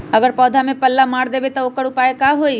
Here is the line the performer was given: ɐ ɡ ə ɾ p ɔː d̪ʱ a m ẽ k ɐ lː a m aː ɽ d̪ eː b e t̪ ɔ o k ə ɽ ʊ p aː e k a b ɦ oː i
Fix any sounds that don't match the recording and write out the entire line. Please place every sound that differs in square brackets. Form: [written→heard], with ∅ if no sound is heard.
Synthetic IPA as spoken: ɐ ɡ ə ɾ p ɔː d̪ʱ a m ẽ [k→p] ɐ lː a m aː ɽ d̪ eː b e t̪ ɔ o k ə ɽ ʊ p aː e k a [b→∅] ɦ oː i